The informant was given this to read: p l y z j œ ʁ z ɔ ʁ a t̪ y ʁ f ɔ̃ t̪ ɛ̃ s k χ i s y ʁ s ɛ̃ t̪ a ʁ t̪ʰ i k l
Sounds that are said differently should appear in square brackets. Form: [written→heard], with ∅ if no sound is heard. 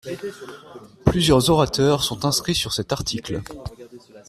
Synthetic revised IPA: p l y z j œ ʁ z ɔ ʁ a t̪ [y→œ] ʁ [f→s] ɔ̃ t̪ ɛ̃ s k χ i s y ʁ s [ɛ̃→ɛ] t̪ a ʁ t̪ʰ i k l

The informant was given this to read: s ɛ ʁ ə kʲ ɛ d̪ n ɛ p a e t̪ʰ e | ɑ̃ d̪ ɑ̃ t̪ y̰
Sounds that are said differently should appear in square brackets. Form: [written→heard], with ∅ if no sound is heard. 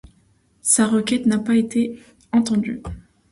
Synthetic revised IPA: s [ɛ→a] ʁ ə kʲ ɛ [d̪→t̪] n [ɛ→a] p a e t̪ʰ e | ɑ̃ [d̪→t̪] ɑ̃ [t̪→d̪] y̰

